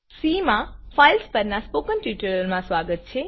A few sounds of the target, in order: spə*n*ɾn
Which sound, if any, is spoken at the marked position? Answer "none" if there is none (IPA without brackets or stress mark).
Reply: none